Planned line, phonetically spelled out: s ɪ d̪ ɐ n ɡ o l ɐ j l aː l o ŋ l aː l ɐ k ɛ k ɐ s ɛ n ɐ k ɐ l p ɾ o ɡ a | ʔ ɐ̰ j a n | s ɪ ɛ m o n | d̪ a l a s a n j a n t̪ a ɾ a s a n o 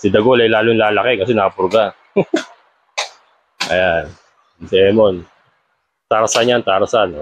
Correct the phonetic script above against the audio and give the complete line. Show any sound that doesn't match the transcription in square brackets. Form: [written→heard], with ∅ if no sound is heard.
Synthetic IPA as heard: s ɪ d̪ ɐ [n→∅] ɡ o l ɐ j l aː l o ŋ l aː l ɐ k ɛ k ɐ s ɛ n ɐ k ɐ [l→∅] p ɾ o ɡ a | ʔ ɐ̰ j a n | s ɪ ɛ m o n | [d̪→t̪] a [l→ɾ] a s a n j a n t̪ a ɾ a s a n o

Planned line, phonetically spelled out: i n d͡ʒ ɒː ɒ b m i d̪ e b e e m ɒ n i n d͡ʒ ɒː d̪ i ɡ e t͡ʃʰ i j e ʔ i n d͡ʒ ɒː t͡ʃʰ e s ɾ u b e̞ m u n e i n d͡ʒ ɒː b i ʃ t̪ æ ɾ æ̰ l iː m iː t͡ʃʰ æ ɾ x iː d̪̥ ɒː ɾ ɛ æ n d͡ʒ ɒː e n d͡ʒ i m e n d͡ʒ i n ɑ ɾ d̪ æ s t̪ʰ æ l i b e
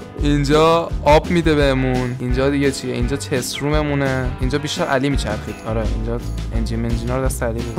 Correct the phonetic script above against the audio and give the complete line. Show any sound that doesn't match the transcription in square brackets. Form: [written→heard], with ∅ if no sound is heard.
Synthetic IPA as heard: i n d͡ʒ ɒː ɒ b m i d̪ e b e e m [ɒ→u] n i n d͡ʒ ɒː d̪ i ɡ e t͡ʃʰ i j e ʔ i n d͡ʒ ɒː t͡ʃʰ e s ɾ u [b→m] e̞ m u n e i n d͡ʒ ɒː b i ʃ t̪ æ ɾ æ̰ l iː m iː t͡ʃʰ æ ɾ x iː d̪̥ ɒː ɾ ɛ [æ→i] n d͡ʒ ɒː e n d͡ʒ i m e n d͡ʒ i n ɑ ɾ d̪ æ s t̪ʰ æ l i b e

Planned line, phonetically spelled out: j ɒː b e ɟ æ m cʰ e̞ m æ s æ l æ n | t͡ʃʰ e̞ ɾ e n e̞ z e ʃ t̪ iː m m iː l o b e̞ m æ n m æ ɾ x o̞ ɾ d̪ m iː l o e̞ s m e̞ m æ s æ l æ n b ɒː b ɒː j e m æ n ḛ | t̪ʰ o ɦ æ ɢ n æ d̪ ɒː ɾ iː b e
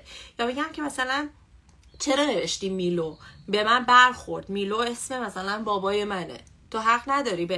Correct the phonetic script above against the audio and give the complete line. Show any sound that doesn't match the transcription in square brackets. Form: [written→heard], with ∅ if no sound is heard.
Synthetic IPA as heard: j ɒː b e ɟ æ m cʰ e̞ m æ s æ l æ n | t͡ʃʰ e̞ ɾ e n e̞ [z→v] e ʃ t̪ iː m m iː l o b e̞ m æ n [m→b] æ ɾ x o̞ ɾ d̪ m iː l o e̞ s m e̞ m æ s æ l æ n b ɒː b ɒː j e m æ n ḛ | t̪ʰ o ɦ æ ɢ n æ d̪ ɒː ɾ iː b e

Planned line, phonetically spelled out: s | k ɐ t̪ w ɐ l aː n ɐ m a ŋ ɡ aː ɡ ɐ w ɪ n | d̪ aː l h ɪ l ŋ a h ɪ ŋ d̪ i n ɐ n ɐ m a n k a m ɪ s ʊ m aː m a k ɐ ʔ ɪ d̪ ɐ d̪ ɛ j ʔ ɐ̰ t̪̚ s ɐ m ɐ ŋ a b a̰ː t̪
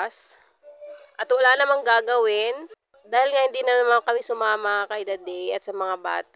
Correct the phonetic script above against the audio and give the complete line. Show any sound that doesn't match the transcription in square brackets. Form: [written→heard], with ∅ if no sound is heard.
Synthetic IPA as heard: s | [k→ʔ] ɐ t̪ w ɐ l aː n ɐ m a ŋ ɡ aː ɡ ɐ w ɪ n | d̪ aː [l→∅] h ɪ l ŋ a h ɪ [ŋ→n] d̪ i n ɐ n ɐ m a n k [a→ɐ] m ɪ s ʊ m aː m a k ɐ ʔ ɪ d̪ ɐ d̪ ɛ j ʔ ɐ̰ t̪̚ s ɐ m ɐ ŋ a b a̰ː t̪

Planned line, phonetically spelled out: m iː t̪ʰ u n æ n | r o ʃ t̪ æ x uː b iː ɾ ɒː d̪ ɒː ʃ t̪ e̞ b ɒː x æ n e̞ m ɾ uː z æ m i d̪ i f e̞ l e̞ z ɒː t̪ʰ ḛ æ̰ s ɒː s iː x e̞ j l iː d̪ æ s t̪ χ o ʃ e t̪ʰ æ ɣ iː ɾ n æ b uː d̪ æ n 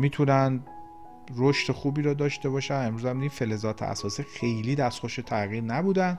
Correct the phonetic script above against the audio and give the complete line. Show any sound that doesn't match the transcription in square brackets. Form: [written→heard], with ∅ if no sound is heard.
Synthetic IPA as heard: m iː t̪ʰ u n æ n | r o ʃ t̪ [æ→e] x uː b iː ɾ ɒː d̪ ɒː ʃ t̪ e̞ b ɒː [x→ʃ] æ n e̞ m ɾ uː z æ m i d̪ i f e̞ l e̞ z ɒː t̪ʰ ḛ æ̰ s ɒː s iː x e̞ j l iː d̪ æ s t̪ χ o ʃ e t̪ʰ æ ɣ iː ɾ n æ b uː d̪ æ n

